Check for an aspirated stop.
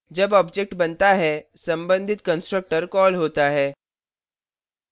absent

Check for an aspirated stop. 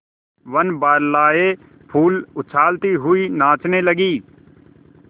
present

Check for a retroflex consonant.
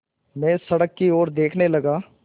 present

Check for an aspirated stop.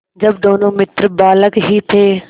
present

